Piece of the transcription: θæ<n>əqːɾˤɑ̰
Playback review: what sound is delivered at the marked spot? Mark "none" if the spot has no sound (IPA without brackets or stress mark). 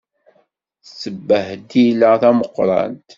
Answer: m